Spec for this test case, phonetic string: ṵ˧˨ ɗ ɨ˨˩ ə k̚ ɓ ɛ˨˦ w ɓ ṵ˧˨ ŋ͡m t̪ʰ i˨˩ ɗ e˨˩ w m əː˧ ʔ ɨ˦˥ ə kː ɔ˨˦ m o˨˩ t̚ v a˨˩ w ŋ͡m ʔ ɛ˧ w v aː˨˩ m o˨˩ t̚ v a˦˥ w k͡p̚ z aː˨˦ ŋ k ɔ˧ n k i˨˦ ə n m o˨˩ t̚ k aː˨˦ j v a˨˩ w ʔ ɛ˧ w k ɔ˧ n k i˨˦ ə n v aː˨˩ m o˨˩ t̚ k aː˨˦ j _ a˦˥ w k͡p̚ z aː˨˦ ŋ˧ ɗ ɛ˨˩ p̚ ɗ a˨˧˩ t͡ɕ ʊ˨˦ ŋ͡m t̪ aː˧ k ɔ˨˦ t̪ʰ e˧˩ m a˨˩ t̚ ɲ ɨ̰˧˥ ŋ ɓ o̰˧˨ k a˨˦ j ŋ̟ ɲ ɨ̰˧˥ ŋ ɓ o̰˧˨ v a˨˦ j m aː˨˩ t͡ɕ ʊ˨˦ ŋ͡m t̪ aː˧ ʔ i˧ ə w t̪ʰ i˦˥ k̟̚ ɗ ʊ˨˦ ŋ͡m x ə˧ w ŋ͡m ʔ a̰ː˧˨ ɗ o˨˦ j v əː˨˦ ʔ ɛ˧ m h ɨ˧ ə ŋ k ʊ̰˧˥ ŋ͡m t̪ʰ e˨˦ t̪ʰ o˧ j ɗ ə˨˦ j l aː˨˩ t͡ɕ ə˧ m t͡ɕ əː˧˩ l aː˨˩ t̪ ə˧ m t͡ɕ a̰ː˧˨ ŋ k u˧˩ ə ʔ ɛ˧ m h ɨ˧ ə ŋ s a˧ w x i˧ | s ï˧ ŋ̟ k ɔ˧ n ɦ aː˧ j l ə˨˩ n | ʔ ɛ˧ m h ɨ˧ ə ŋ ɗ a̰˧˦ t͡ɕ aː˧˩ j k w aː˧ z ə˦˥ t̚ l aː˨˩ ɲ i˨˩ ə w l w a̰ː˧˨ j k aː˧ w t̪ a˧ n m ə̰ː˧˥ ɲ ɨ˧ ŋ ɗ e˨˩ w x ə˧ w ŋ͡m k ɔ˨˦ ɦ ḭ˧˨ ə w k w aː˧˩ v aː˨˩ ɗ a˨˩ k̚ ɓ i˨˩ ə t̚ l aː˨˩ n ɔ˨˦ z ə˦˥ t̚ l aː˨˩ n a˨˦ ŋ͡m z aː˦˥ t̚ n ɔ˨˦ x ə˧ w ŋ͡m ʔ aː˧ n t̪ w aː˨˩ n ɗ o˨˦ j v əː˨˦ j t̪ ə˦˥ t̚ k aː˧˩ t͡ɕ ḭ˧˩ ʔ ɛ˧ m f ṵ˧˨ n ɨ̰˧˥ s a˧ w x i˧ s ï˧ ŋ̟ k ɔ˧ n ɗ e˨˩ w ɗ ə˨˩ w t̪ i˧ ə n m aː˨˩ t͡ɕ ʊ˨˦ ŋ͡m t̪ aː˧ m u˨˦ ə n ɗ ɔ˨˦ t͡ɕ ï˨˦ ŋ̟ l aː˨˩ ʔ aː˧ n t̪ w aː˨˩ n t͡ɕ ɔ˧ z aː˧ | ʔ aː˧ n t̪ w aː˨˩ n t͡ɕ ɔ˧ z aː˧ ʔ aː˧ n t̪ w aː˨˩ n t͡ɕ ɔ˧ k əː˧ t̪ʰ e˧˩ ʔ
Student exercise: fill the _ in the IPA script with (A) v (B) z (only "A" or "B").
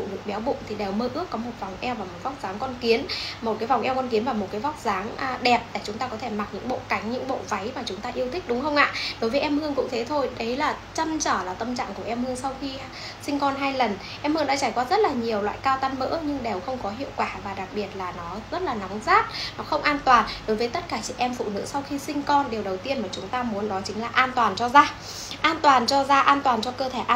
A